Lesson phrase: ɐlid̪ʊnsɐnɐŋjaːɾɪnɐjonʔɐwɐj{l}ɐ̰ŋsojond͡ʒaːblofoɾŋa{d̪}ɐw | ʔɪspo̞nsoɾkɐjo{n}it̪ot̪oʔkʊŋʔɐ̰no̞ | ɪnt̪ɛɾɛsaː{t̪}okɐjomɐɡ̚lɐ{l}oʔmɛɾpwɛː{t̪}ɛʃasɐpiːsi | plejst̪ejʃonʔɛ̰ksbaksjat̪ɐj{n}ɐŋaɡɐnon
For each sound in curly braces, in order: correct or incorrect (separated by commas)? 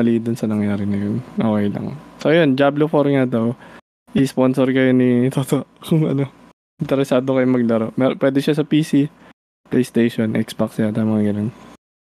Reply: correct, correct, correct, incorrect, incorrect, incorrect, incorrect